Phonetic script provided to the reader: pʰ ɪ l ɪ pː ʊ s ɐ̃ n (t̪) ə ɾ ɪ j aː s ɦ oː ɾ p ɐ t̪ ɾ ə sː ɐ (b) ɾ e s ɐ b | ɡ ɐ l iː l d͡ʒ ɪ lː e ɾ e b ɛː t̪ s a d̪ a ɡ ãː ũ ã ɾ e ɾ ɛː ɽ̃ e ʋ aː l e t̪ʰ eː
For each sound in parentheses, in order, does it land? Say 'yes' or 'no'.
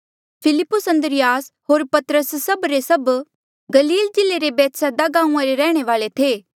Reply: no, yes

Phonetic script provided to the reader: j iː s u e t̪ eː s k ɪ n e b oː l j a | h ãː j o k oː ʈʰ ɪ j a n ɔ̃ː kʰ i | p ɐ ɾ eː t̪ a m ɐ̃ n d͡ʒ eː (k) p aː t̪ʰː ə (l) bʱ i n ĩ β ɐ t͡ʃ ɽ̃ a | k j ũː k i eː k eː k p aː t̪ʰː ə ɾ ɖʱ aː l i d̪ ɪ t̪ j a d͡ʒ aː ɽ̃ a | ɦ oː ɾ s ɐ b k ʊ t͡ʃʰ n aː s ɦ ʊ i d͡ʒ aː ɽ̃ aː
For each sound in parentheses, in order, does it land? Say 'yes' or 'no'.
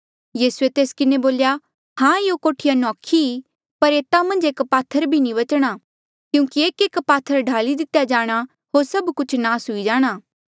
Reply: yes, no

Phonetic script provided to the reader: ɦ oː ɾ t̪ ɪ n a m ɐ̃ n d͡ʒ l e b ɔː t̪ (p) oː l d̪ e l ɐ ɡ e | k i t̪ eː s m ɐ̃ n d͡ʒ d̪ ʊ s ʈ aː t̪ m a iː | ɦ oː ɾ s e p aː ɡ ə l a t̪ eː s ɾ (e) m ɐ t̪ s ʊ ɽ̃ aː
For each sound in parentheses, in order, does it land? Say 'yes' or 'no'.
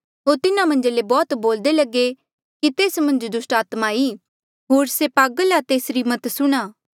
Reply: no, no

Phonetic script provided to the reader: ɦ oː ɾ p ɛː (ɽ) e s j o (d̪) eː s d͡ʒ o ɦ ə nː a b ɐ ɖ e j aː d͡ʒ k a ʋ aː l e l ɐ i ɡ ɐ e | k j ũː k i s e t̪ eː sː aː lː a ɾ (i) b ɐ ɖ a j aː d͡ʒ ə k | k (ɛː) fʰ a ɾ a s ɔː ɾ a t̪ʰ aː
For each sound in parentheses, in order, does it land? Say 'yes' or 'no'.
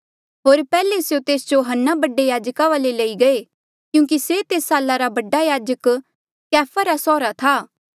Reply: no, no, no, yes

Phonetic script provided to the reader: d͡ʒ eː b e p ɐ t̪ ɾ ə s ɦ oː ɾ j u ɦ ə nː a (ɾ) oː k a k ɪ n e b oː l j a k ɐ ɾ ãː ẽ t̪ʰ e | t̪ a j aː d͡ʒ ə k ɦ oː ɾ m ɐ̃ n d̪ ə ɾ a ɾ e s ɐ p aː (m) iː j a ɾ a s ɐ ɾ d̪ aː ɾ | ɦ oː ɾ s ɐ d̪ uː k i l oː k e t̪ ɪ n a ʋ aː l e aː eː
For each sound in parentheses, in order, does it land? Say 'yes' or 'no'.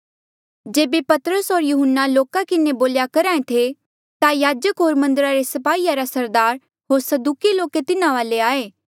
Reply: no, no

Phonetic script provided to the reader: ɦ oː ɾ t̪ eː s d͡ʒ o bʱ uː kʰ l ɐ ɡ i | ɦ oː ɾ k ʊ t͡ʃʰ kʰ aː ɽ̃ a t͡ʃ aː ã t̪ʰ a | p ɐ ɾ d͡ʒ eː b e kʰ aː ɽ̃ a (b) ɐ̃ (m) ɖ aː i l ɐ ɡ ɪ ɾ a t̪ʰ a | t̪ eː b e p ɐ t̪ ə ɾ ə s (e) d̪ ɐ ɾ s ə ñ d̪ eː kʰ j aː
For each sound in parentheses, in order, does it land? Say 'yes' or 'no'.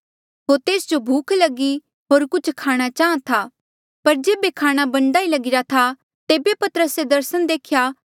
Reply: yes, no, yes

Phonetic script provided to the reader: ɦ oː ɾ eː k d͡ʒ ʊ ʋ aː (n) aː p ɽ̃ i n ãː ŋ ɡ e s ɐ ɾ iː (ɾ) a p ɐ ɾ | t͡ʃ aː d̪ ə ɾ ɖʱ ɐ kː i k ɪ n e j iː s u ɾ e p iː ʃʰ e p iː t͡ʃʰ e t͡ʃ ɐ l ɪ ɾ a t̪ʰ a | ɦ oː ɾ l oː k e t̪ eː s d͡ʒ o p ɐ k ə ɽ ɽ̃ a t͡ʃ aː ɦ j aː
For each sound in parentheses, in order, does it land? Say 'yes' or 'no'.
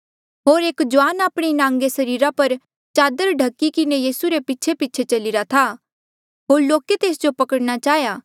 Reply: yes, yes

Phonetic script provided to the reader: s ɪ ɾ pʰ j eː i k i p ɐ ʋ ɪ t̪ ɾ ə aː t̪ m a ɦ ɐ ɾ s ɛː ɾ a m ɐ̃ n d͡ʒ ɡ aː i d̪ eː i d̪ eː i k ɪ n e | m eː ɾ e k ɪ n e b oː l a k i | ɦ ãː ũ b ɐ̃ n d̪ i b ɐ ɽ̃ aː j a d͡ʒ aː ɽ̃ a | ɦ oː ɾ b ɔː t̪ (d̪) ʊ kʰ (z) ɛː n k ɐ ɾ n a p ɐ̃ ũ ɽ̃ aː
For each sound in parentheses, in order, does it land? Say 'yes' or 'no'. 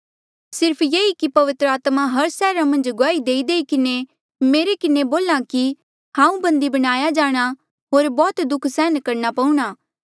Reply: yes, no

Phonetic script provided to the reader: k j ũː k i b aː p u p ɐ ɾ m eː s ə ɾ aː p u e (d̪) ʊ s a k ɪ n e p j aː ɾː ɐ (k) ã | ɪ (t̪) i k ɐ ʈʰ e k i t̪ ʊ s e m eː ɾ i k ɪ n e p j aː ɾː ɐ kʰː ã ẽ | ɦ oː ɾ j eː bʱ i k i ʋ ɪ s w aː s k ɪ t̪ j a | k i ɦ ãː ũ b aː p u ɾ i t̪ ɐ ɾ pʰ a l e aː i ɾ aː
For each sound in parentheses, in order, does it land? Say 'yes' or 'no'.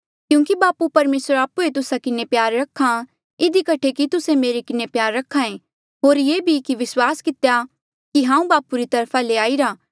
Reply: no, no, no

